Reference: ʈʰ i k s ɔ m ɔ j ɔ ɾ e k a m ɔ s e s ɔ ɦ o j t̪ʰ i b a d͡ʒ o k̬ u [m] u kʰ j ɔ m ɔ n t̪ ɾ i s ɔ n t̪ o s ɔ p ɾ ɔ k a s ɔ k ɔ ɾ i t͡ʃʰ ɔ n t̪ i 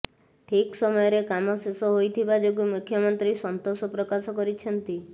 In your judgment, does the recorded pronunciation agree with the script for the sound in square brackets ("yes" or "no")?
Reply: yes